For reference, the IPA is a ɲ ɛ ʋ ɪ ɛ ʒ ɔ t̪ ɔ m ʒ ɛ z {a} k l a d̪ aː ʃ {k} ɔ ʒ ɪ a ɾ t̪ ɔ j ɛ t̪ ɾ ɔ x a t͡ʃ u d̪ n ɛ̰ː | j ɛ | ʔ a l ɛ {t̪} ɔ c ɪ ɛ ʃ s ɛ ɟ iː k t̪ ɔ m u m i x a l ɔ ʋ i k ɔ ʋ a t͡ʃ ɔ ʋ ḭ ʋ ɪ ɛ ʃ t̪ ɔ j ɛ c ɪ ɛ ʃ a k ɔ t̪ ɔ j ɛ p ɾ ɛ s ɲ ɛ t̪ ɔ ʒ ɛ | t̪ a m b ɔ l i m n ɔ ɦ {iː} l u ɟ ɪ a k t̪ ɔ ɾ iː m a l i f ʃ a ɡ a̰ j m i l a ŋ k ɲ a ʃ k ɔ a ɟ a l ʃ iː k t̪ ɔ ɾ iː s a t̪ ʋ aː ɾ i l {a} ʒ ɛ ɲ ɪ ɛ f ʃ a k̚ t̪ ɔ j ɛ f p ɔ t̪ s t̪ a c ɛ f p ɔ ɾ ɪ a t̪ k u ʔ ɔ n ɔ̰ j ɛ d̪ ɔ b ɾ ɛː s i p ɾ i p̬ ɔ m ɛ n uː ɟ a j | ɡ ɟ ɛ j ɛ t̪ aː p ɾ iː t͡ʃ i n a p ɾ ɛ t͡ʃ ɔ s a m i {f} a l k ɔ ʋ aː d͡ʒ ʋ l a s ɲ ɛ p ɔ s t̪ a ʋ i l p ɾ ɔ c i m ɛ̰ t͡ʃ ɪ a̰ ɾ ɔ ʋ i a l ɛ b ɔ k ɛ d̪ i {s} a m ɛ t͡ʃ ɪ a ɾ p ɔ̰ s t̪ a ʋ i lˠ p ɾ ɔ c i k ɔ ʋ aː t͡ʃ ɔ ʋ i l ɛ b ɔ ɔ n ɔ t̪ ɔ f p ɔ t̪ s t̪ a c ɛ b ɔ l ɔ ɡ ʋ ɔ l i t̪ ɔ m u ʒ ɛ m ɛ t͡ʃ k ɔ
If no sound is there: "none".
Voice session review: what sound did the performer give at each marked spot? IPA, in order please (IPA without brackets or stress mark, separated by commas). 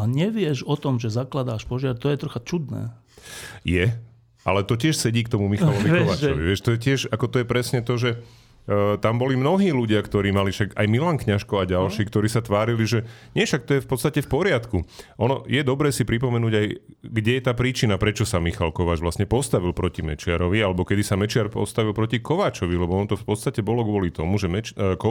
a, p, t̪, iː, i, x, s